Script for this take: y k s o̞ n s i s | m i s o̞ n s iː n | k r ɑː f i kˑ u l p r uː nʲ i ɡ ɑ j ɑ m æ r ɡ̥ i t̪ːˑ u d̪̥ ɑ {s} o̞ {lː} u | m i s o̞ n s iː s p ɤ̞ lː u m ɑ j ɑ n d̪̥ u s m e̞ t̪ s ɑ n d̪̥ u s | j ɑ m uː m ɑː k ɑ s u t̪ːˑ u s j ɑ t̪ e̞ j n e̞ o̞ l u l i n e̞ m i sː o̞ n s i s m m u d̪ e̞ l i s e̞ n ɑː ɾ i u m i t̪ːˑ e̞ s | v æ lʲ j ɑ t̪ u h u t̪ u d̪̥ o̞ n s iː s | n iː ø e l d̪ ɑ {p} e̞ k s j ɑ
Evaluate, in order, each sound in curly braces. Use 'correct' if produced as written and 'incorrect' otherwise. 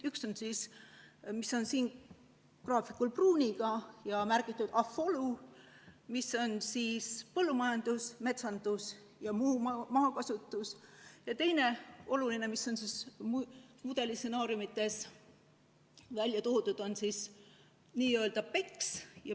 incorrect: f, incorrect: l, correct

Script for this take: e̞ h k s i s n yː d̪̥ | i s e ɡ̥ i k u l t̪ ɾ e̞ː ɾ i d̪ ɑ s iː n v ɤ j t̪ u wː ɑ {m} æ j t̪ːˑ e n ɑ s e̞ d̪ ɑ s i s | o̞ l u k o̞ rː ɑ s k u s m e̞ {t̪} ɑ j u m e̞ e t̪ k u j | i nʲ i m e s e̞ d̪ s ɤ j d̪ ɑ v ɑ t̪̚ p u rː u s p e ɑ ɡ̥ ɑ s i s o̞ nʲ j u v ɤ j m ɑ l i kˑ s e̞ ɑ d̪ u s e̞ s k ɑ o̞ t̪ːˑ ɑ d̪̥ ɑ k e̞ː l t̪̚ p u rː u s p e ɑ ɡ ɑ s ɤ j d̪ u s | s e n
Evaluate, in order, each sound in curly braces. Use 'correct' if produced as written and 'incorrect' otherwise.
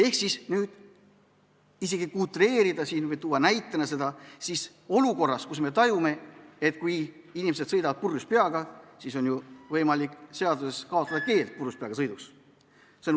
incorrect: n, correct

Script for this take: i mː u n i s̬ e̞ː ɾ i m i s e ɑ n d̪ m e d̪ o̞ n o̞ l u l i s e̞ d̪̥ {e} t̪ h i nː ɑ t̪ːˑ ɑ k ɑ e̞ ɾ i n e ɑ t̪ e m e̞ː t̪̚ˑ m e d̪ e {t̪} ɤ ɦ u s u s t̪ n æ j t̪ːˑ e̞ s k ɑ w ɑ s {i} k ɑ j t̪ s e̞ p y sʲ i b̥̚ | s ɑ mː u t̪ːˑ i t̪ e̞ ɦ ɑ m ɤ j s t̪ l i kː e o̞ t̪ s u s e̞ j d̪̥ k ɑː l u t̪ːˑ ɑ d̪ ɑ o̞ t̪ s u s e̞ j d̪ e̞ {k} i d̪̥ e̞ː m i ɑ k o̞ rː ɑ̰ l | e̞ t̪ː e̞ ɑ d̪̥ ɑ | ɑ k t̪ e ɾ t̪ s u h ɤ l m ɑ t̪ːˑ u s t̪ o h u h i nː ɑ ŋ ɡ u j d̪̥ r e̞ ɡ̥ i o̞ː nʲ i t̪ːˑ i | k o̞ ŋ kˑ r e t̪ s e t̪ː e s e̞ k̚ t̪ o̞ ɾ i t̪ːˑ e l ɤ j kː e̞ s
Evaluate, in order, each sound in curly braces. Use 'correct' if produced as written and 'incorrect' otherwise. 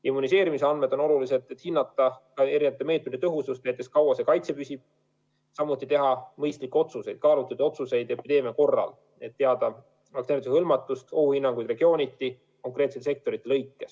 correct, correct, incorrect: e, incorrect: p

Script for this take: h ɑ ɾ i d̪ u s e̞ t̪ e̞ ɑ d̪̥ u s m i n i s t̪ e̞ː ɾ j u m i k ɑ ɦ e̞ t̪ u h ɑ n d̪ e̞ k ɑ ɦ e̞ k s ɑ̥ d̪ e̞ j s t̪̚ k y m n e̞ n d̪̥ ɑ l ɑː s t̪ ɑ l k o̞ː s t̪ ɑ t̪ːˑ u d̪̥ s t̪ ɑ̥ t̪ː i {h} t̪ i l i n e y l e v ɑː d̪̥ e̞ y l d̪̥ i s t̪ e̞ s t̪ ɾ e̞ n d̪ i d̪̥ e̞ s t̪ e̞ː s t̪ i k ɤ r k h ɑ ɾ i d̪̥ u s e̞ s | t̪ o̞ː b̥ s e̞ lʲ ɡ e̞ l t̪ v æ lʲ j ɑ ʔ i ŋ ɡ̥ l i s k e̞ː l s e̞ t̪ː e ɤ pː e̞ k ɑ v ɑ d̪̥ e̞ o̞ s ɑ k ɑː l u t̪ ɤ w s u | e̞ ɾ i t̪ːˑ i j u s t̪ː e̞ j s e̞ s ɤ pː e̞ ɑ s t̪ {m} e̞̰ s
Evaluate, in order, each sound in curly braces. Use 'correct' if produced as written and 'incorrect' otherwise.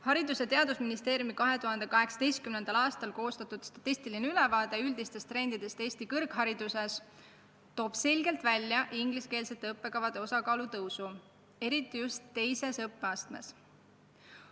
incorrect: s, correct

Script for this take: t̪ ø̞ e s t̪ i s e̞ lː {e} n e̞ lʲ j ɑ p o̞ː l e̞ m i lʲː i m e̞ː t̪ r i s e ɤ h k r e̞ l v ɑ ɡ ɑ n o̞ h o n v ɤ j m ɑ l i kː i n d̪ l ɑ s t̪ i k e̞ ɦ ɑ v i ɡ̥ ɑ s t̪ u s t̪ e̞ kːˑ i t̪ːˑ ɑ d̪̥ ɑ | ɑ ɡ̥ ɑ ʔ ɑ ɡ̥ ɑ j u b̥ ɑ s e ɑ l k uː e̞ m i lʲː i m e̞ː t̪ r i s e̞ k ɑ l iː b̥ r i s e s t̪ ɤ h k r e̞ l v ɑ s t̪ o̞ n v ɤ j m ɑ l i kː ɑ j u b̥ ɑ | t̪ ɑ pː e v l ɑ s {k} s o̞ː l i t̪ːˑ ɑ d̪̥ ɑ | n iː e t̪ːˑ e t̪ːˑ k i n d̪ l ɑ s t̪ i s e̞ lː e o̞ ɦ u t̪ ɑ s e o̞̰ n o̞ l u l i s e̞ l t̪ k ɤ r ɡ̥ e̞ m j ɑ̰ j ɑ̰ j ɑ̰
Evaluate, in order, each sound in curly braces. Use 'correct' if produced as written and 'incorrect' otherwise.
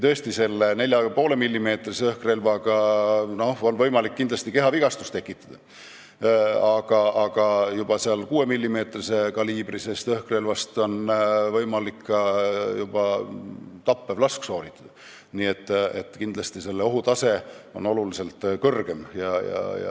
correct, correct

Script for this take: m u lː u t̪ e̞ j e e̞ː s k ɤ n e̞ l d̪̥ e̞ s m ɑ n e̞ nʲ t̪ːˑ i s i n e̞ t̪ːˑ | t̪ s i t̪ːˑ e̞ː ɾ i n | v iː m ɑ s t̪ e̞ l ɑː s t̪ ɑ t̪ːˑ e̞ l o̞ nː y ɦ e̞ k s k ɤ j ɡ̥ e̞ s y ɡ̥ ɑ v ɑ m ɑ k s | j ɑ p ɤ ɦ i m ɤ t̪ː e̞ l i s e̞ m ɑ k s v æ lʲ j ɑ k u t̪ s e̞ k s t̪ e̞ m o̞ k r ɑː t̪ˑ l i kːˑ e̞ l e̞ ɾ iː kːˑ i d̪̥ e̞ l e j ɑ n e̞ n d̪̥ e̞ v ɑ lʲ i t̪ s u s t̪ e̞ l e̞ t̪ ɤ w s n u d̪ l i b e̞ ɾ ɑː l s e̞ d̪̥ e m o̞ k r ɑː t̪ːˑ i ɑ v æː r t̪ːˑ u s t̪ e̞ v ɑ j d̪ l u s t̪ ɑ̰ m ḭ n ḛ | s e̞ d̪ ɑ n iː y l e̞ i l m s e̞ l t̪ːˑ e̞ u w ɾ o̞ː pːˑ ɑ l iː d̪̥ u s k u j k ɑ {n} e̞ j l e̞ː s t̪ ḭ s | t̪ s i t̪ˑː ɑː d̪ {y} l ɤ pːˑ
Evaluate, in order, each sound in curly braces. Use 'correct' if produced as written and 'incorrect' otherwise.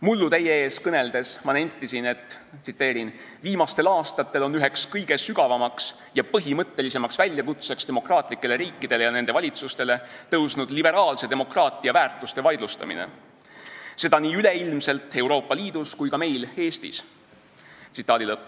incorrect: m, incorrect: i

